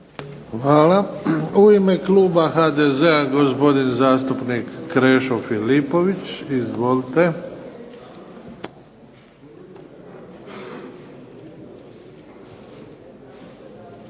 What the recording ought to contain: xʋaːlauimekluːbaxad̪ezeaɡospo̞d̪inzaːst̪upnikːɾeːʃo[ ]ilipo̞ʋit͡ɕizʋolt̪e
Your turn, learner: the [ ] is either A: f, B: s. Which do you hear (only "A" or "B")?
A